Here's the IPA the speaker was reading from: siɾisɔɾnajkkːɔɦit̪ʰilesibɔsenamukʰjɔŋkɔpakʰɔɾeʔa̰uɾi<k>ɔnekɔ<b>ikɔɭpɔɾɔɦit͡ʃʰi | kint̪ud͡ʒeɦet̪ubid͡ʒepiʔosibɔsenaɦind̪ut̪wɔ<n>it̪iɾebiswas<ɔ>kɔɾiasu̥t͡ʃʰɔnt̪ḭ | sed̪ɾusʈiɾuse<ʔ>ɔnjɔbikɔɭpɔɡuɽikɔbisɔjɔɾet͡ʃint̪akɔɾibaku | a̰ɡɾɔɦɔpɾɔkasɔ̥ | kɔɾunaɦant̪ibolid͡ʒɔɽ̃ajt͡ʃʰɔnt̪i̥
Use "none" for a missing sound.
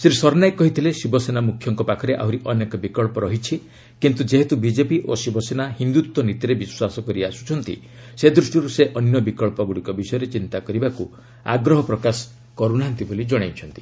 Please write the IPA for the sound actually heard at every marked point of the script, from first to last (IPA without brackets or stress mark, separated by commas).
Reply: ʔ, b, n, ɔ, ʔ